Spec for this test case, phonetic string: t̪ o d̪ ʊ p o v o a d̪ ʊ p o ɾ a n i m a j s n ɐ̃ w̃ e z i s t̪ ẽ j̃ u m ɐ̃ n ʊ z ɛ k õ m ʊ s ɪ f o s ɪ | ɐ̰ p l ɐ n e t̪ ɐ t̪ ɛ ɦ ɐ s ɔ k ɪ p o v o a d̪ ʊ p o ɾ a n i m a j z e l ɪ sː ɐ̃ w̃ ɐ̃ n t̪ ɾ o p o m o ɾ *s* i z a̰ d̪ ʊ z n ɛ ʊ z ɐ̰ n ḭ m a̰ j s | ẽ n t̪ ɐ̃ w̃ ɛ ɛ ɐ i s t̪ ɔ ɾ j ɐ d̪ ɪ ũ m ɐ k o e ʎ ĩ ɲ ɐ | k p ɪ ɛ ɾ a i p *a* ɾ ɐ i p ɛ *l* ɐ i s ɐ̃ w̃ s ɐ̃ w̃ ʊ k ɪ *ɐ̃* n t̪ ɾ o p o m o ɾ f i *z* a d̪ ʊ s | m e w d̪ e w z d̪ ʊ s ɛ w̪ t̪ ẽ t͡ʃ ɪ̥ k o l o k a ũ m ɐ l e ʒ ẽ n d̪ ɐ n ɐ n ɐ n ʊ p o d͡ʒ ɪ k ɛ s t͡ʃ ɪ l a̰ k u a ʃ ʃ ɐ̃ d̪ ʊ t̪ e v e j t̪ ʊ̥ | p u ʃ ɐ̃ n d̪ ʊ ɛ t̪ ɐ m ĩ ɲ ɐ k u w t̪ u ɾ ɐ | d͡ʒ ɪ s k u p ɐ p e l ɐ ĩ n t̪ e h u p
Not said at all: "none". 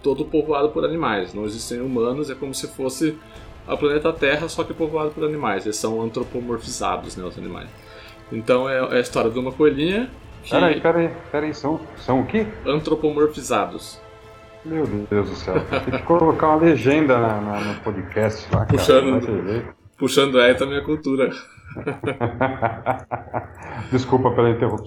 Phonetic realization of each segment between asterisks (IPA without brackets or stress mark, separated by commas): f, ɛ, ɾ, ɐ̃, z